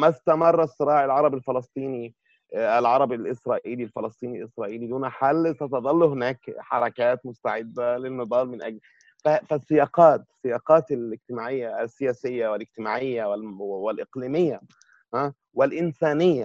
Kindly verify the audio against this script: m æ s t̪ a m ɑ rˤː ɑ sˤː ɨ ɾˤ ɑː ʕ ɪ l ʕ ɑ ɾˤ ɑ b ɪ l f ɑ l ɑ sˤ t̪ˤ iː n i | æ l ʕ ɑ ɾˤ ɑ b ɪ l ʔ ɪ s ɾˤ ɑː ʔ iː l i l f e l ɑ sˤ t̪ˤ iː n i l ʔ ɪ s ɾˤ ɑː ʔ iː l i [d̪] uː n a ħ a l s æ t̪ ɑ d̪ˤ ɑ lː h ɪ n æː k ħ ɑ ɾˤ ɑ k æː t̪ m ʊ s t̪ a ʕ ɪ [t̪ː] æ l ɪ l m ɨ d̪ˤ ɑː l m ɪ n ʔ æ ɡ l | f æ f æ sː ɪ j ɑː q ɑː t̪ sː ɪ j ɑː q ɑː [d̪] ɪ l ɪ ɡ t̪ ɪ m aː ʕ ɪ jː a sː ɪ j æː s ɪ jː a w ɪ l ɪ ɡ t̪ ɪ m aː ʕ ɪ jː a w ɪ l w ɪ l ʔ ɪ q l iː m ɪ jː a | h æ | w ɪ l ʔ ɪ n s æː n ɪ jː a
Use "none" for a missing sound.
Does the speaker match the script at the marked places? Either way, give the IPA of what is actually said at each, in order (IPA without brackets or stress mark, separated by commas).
d̪, d̪ː, t̪